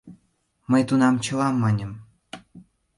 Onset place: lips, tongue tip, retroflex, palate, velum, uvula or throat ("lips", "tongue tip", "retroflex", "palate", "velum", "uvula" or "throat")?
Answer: lips